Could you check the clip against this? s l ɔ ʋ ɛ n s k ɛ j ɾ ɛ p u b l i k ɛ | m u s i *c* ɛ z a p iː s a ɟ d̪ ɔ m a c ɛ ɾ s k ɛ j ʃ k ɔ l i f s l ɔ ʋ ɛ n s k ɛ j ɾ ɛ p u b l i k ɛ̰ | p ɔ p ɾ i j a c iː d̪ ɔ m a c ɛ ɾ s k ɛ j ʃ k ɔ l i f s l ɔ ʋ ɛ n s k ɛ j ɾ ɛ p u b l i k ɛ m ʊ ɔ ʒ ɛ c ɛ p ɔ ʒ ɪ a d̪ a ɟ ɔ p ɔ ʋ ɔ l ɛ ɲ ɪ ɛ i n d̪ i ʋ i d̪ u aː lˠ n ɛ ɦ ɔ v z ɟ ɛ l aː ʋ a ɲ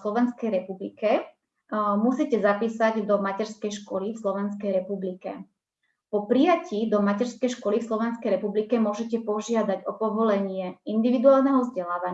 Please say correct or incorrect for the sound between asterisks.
correct